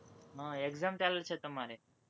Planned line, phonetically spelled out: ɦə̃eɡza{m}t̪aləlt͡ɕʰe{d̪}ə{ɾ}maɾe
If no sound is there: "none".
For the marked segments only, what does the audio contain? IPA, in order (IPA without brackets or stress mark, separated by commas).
m, t̪, none